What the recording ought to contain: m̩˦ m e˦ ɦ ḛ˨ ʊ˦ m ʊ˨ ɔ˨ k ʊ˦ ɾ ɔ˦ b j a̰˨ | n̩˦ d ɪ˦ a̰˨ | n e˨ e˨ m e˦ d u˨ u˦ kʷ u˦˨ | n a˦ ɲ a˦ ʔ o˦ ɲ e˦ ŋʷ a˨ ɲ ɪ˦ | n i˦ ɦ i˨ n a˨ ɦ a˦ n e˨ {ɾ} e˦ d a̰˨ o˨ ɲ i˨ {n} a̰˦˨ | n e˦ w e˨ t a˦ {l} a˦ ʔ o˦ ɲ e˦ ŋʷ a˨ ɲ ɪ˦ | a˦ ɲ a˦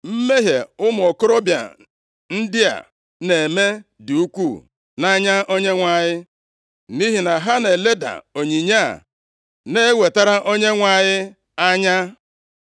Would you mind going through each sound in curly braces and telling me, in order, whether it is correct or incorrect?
incorrect: l, incorrect: ɲ, incorrect: ɾ

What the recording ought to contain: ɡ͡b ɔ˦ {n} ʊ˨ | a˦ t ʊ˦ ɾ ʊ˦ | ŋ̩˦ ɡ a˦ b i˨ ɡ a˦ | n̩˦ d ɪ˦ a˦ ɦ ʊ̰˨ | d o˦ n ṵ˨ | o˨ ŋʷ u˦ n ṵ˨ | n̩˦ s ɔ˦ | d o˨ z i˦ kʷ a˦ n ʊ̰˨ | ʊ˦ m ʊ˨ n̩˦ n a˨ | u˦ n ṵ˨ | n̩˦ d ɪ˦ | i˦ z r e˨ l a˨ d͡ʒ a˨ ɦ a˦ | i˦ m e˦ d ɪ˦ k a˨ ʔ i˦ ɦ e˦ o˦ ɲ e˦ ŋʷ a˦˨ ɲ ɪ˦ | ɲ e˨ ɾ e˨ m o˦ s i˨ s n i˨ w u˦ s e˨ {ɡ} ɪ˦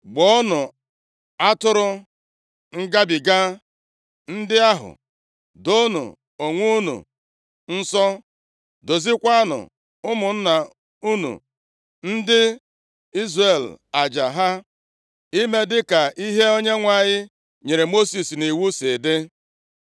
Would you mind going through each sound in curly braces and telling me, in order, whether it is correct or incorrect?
correct, incorrect: d

